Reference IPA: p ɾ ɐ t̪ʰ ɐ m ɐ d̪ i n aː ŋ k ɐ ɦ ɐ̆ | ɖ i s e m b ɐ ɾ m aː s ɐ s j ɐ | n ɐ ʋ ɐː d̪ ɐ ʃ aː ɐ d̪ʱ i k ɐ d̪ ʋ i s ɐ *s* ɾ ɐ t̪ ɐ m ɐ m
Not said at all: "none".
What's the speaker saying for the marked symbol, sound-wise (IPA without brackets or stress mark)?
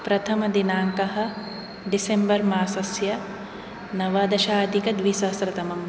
s